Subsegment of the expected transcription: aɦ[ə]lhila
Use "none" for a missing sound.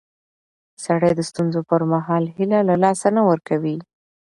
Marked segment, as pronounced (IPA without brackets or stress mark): ɑ